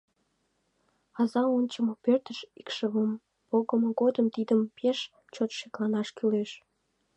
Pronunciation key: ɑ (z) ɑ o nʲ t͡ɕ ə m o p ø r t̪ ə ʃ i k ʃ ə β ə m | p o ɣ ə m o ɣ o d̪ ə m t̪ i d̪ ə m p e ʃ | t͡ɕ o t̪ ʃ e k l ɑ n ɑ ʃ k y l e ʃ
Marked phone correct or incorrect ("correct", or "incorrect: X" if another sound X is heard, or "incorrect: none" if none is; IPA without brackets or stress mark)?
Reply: correct